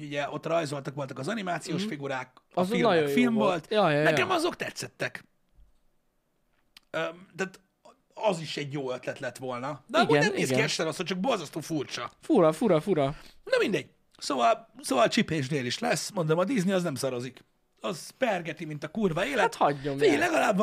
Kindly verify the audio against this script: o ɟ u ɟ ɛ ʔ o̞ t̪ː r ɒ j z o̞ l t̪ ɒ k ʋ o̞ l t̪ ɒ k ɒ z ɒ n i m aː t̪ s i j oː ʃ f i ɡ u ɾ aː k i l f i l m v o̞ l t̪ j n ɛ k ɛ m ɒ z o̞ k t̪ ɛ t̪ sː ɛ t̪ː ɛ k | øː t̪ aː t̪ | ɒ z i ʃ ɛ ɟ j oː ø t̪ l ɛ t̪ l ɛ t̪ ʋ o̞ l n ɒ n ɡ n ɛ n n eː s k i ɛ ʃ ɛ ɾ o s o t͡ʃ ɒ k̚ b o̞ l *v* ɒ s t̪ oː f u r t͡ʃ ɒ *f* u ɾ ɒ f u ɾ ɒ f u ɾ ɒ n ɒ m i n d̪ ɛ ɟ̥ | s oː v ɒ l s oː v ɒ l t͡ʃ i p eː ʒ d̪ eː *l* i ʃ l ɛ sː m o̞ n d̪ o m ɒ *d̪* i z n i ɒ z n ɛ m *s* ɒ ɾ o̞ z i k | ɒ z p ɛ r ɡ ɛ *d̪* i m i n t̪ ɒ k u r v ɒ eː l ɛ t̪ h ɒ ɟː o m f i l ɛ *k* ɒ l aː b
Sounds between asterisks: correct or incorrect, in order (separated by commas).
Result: incorrect, correct, correct, correct, correct, incorrect, incorrect